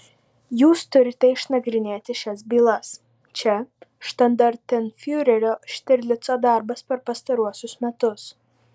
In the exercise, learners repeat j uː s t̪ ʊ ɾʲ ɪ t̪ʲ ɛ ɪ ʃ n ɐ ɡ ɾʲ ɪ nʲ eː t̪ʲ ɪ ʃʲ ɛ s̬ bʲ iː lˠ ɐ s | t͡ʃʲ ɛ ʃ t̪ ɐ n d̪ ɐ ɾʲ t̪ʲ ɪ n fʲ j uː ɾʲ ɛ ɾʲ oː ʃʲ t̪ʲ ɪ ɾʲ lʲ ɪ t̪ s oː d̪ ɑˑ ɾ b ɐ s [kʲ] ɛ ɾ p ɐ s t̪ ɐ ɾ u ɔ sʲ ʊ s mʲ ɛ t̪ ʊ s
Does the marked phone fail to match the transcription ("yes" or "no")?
yes